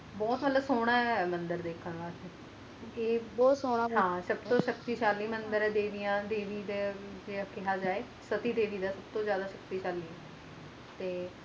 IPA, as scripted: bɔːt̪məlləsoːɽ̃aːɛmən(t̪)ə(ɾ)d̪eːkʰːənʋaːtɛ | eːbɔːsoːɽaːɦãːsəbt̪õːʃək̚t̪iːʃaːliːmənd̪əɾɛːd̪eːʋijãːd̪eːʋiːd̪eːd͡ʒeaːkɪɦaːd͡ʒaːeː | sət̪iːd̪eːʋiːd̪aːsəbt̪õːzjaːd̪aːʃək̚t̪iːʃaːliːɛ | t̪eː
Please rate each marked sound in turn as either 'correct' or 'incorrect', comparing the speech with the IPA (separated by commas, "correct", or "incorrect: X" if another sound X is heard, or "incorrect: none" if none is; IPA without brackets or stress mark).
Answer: incorrect: d̪, correct